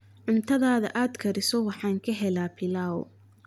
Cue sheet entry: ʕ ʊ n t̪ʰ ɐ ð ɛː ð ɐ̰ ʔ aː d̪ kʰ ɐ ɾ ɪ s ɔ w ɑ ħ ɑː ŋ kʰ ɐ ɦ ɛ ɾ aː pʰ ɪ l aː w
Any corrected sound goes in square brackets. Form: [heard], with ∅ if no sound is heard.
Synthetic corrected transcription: ʕ ʊ n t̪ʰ ɐ ð [aː] ð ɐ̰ ʔ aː d̪ kʰ ɐ ɾ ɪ s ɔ w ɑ ħ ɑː ŋ kʰ ɐ ɦ ɛ [l] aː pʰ ɪ l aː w